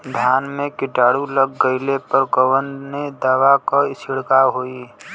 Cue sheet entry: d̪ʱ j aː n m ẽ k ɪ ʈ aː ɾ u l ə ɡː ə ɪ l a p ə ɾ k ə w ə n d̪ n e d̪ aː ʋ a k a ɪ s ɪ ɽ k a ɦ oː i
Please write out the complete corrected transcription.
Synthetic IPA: d̪ʱ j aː n m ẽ k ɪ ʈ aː ɽ u l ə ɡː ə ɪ l e p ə ɾ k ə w ə n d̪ n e d̪ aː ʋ a k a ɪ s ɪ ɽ k a ɦ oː i